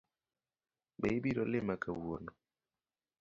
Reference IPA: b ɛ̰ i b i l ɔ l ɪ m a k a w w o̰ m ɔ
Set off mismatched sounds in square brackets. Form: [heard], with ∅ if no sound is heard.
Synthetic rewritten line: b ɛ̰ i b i [ɾ] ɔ l ɪ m a k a w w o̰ [n] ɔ

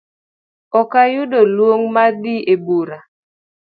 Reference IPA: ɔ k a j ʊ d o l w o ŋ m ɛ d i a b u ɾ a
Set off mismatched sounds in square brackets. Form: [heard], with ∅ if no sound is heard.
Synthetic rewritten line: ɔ k a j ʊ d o l w o ŋ m [a] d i [e] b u ɾ a

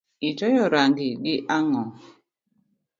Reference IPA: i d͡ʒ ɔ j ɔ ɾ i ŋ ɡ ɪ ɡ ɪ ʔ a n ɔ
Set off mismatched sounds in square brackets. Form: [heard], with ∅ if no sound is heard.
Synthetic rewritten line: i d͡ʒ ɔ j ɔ ɾ [a] ŋ ɡ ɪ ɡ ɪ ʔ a [ŋ] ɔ

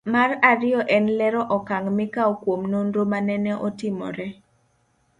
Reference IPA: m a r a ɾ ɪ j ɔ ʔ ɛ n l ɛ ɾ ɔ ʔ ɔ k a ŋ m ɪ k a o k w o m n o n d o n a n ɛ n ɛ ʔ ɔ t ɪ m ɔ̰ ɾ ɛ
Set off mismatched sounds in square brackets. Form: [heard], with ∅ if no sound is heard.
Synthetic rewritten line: m a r a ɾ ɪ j ɔ ʔ ɛ n l ɛ ɾ ɔ ʔ ɔ k a ŋ m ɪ k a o k w o m n o n d o [m] a n ɛ n ɛ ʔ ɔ t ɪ m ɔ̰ ɾ ɛ

